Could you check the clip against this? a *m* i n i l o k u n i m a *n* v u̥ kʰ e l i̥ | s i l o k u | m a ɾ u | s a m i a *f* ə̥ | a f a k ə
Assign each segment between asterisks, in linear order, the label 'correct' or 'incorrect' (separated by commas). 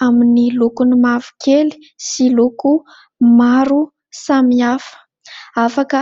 correct, incorrect, correct